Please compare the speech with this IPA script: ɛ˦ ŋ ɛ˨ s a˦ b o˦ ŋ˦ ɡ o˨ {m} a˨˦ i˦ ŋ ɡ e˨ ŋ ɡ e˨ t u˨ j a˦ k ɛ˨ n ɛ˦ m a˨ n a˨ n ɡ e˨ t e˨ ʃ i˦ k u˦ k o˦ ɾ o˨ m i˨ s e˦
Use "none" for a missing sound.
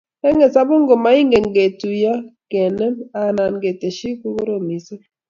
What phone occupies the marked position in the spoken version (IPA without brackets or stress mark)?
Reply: m